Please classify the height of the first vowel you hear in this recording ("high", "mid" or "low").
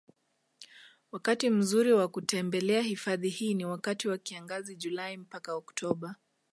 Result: low